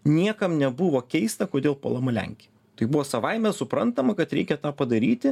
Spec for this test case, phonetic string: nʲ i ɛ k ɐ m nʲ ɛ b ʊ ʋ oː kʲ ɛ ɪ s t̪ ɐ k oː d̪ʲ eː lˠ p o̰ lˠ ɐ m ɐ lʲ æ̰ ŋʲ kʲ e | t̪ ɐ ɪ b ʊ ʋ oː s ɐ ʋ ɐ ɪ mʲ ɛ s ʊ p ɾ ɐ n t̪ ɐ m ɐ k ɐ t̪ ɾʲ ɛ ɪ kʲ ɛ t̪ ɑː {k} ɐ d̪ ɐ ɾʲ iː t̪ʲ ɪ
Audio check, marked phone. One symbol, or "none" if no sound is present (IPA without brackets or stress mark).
p